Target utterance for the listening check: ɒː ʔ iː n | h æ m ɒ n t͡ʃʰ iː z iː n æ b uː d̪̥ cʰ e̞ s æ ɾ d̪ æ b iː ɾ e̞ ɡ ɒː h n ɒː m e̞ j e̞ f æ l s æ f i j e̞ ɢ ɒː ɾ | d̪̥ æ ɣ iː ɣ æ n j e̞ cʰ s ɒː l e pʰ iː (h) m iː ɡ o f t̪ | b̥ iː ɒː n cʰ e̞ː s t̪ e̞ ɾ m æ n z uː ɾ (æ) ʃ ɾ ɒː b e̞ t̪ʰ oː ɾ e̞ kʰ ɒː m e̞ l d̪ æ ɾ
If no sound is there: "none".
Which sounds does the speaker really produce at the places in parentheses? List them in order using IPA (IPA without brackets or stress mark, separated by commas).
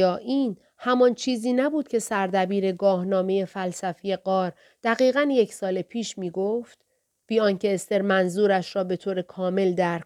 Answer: ʃ, æ